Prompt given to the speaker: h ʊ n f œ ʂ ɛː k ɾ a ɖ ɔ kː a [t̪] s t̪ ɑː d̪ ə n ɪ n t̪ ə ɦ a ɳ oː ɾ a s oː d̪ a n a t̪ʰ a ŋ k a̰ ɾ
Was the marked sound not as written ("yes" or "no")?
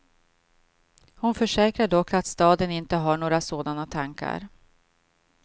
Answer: no